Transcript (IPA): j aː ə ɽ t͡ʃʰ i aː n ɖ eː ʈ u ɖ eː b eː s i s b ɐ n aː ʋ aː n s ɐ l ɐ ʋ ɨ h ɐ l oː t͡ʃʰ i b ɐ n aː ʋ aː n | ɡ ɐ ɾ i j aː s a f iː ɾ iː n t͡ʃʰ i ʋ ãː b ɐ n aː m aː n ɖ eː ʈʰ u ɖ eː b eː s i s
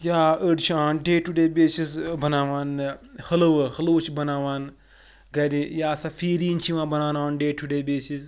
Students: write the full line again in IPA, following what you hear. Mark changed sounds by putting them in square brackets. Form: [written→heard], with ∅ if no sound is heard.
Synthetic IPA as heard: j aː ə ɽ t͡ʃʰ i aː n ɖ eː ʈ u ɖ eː b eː s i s b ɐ n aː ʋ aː n [s→h] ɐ l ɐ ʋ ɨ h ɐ l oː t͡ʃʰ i b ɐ n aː ʋ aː n | ɡ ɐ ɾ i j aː s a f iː ɾ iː n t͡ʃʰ i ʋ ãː b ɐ n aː [m→n] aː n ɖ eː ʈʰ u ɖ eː b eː s i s